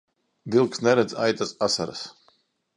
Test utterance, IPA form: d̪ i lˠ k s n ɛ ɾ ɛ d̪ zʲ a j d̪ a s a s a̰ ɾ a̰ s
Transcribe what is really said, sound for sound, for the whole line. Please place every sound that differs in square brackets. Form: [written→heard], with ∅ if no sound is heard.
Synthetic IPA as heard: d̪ i lˠ k s n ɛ ɾ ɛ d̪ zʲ a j [d̪→t̪] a s a s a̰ ɾ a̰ s